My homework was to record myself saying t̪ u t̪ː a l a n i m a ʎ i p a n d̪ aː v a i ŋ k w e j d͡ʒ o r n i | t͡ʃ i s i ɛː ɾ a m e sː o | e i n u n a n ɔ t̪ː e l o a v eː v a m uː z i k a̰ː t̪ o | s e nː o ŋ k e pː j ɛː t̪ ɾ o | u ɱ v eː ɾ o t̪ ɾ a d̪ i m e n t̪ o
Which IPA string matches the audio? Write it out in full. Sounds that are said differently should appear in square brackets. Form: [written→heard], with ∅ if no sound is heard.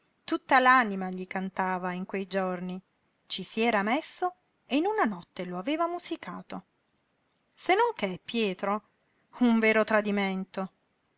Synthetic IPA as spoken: t̪ u t̪ː a l a n i m a ʎ i [p→k] a n [d̪→t̪] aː v a i ŋ k w e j d͡ʒ o r n i | t͡ʃ i s i ɛː ɾ a m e sː o | e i n u n a n ɔ t̪ː e l o a v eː v a m [uː→u] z i k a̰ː t̪ o | s e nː o ŋ k e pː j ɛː t̪ ɾ o | u ɱ v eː ɾ o t̪ ɾ a d̪ i m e n t̪ o